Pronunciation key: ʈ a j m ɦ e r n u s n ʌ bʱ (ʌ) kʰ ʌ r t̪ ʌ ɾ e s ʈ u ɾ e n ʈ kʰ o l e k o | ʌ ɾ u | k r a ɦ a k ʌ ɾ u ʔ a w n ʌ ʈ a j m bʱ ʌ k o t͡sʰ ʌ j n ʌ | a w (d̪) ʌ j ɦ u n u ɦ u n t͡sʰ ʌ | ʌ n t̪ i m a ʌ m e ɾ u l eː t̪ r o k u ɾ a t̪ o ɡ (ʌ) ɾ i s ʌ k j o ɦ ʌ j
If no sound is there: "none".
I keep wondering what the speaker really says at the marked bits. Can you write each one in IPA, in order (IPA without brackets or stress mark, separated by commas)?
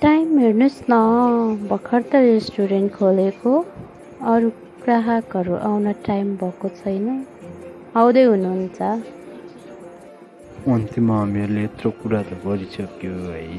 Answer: ʌ, d̪, ʌ